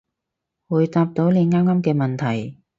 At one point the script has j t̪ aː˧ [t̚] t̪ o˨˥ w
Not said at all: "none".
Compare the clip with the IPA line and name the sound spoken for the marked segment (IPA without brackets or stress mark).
p̚